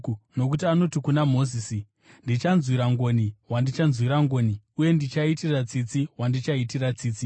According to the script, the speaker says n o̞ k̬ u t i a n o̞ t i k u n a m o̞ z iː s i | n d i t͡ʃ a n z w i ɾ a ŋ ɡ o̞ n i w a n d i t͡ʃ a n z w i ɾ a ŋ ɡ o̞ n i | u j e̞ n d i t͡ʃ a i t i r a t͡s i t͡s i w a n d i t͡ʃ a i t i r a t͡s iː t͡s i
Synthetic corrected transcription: n o̞ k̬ u t i a n o̞ t i k u n a m o̞ z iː s i | n d i t͡ʃ a n z w i ɾ a ŋ ɡ o̞ n i w a n d i t͡ʃ a n z w i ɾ a ŋ ɡ o̞ n i | u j e̞ n d i t͡ʃ a i t i r a t͡s i t͡s i w a n d i t͡ʃ a i t i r a t͡s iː t͡s i